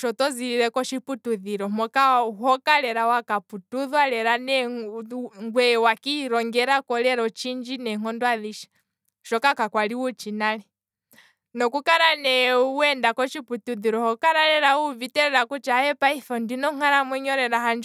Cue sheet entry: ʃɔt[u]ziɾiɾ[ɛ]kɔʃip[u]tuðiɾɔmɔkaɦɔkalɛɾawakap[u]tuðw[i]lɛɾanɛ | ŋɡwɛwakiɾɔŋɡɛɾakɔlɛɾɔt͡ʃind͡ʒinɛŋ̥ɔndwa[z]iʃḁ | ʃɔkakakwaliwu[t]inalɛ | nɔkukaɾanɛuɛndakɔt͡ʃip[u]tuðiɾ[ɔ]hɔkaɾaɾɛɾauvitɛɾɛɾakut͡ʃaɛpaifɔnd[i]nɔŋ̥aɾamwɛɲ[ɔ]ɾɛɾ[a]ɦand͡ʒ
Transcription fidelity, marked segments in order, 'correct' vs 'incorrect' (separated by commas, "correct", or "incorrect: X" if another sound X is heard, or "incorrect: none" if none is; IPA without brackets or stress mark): incorrect: ɔ, correct, correct, correct, incorrect: a, incorrect: ð, incorrect: t͡ʃ, correct, correct, correct, correct, correct